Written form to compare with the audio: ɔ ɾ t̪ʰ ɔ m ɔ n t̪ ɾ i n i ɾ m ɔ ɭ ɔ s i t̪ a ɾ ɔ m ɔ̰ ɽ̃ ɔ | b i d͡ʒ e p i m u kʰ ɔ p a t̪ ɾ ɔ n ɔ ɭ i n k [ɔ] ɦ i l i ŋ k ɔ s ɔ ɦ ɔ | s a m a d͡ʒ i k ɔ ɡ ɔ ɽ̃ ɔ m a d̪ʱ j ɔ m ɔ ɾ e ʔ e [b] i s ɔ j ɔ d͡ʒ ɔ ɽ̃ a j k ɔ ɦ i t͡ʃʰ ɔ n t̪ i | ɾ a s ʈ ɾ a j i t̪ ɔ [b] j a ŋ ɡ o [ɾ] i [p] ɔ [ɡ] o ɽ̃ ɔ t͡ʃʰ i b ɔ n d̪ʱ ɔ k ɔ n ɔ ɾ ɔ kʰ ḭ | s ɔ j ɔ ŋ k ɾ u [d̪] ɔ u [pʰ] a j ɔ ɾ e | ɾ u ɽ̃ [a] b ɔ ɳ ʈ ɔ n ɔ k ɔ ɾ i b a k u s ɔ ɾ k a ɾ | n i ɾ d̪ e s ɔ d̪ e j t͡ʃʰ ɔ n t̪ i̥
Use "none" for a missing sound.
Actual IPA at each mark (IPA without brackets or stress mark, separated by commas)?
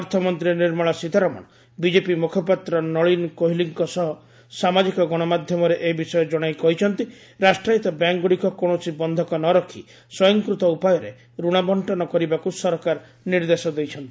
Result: o, b, b, ɽ, k, k, t̪, p, a